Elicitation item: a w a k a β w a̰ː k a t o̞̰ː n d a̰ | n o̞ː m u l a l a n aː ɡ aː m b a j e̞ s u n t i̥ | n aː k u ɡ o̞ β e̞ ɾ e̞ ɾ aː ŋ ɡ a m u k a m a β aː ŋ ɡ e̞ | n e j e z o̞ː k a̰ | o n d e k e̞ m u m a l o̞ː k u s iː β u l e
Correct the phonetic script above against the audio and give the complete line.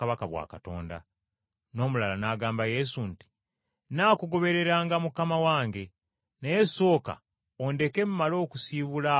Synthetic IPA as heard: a β a k a β w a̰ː k a t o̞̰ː n d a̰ | n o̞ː m u l a l a n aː ɡ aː m b a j e̞ s u n t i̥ | n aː k u ɡ o̞ β e̞ ɾ e̞ ɾ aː ŋ ɡ a m u k a m a w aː ŋ ɡ e̞ | n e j e s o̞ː k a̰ | o n d e k e̞ m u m a l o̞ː k u s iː β u l a